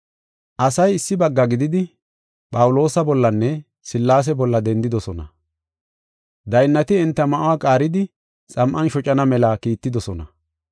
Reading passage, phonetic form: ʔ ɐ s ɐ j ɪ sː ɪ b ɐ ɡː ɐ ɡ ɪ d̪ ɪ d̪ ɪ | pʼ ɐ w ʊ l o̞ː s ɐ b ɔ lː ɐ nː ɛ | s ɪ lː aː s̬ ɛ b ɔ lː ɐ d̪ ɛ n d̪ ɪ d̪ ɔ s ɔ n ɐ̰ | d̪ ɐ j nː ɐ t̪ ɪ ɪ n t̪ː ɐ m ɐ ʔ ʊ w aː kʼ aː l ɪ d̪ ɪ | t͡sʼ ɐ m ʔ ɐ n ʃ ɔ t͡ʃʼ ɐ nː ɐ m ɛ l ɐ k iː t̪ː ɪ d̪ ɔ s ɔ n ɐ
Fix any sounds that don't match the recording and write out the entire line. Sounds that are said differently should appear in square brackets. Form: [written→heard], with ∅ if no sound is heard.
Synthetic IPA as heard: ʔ ɐ s ɐ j ɪ sː ɪ b ɐ ɡː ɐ ɡ ɪ d̪ ɪ d̪ ɪ | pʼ ɐ w ʊ l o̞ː s ɐ b ɔ lː ɐ nː ɛ | s ɪ lː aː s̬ ɛ b ɔ lː ɐ d̪ ɛ n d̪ ɪ d̪ ɔ s ɔ n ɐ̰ | d̪ ɐ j nː ɐ t̪ ɪ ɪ n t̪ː ɐ m ɐ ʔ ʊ w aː kʼ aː [l→ɾ] ɪ d̪ ɪ | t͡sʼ ɐ m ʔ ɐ n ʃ ɔ t͡ʃʼ ɐ [nː→n] ɐ m ɛ l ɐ k iː t̪ː ɪ d̪ ɔ s ɔ n ɐ